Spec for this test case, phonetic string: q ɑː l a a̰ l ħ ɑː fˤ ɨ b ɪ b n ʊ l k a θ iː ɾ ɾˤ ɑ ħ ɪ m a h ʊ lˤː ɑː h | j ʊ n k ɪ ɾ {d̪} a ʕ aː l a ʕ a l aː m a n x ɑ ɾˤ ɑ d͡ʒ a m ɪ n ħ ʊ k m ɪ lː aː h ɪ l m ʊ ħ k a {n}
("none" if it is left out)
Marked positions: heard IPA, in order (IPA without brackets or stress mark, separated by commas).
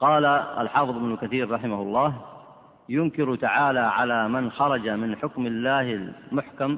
t̪, m